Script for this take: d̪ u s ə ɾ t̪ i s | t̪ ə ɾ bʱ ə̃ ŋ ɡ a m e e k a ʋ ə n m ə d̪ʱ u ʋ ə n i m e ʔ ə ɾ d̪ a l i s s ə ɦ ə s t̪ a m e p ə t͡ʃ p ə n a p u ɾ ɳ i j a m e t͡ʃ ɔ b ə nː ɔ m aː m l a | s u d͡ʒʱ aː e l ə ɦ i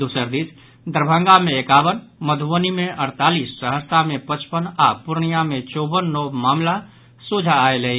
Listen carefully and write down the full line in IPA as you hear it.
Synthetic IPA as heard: d̪ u s ə ɾ d̪ i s | d̪ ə ɾ bʱ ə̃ ŋ ɡ a m e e k a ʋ ə n m ə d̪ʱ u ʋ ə n i m e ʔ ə ɾ t̪ a l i s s ə ɦ ə s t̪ a m e p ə t͡ʃ p ə n a p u ɾ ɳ i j a m e t͡ʃ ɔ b ə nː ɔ m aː m l a | s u d͡ʒʱ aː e l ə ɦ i